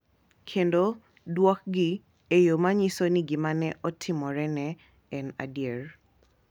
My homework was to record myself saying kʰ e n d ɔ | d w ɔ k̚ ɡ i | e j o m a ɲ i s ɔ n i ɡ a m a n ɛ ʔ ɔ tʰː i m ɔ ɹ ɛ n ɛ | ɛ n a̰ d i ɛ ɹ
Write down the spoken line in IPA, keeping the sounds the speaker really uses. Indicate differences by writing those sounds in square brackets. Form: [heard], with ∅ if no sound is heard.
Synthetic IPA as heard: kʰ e n d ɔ | d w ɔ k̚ ɡ i | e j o m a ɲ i s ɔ n i ɡ [i] m a n ɛ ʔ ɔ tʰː i m ɔ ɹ ɛ n ɛ | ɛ n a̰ d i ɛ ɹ